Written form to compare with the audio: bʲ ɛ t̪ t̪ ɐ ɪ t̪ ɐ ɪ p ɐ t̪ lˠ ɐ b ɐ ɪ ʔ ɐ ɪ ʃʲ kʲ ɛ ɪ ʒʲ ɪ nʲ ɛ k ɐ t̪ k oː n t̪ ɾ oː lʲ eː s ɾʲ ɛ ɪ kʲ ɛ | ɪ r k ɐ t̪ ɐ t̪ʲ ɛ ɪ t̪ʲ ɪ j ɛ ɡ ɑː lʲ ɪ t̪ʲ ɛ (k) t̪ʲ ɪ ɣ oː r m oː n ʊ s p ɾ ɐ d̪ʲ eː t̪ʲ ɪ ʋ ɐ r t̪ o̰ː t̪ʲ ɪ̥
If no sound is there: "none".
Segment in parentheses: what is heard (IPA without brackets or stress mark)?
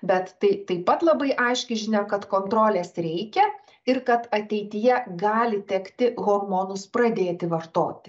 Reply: k